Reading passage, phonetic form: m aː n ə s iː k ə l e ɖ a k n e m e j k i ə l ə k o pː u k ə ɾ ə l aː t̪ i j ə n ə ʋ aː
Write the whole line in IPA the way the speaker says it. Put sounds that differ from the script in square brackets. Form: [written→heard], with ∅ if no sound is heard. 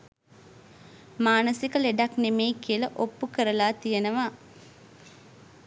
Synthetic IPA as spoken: m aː n ə s [iː→i] k ə l e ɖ a k n e m e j k i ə l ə [k→ʔ] o pː u k ə ɾ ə l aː t̪ i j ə n ə ʋ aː